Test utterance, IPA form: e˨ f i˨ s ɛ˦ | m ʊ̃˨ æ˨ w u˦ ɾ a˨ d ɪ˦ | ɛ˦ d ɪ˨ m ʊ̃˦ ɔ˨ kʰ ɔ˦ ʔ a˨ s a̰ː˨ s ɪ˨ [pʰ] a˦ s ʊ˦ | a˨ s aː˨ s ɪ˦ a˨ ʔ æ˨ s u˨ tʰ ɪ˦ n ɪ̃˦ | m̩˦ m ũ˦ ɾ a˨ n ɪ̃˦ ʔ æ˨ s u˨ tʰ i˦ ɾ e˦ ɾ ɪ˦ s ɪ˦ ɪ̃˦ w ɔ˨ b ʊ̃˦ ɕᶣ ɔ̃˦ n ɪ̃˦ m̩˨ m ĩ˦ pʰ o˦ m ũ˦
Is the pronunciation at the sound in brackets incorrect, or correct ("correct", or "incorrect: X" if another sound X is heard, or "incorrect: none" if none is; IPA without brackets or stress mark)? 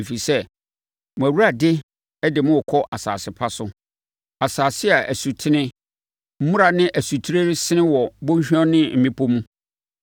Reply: correct